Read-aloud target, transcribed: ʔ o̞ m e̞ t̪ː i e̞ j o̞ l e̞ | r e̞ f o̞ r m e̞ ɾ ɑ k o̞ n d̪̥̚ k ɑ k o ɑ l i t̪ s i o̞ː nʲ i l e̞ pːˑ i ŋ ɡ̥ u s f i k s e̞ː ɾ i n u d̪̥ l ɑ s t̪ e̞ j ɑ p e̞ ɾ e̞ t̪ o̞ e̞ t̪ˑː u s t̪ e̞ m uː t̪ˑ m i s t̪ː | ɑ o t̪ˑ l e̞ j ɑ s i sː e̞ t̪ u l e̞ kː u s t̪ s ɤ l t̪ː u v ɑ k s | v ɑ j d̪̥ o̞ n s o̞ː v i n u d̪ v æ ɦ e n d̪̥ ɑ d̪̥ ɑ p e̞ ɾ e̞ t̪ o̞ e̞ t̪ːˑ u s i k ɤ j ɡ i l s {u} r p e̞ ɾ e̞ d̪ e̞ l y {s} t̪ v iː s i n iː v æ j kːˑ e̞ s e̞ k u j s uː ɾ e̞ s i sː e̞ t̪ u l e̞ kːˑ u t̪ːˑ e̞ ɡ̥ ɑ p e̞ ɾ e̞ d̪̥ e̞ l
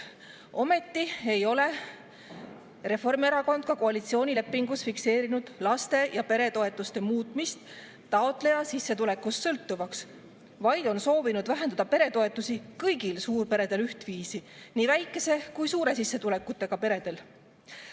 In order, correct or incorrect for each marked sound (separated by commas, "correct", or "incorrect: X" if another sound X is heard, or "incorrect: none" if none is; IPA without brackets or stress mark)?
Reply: incorrect: uː, incorrect: h